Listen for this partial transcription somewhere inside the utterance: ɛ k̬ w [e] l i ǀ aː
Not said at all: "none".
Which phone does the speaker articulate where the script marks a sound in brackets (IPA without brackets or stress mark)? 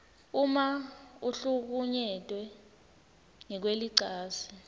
e